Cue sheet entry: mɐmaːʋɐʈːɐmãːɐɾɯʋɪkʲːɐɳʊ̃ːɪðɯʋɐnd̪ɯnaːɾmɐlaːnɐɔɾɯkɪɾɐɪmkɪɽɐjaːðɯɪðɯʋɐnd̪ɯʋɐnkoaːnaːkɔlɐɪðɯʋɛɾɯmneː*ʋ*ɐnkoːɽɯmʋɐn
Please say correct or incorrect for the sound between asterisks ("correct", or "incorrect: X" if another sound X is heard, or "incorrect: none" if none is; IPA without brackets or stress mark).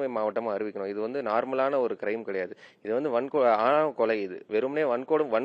correct